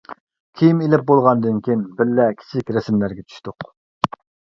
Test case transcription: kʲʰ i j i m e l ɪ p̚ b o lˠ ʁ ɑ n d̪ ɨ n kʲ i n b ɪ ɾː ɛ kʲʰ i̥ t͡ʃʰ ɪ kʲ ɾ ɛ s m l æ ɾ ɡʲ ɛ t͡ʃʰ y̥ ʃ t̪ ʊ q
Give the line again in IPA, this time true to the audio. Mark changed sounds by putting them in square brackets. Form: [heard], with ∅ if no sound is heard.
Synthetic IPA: kʲʰ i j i m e l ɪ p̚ b o lˠ ʁ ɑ n d̪ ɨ n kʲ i n b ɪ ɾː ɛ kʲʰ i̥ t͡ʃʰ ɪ kʲ ɾ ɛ s m l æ ɾ ɡʲ ɛ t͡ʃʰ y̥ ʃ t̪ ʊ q